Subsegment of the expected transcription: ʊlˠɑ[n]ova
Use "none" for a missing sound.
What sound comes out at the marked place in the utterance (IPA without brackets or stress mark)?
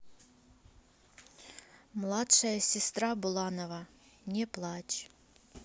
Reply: n